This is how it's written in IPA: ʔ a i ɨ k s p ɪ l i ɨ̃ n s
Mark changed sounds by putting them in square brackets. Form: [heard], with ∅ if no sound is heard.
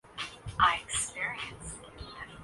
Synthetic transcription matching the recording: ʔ a [ɪ] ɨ k s p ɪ [ɹ] i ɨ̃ n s